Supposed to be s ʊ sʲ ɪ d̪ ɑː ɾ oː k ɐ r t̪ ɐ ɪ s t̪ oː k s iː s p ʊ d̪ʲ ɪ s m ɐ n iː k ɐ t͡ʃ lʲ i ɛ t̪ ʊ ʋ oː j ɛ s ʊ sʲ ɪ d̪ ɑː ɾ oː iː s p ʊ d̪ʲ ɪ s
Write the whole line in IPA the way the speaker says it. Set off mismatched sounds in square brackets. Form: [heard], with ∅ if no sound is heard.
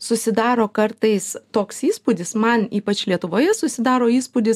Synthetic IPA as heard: s ʊ sʲ ɪ d̪ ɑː ɾ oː k ɐ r t̪ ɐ ɪ s t̪ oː k s iː s p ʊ d̪ʲ ɪ s m ɐ n iː [p] ɐ t͡ʃ lʲ i ɛ t̪ ʊ ʋ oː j ɛ s ʊ sʲ ɪ d̪ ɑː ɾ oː iː s p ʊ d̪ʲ ɪ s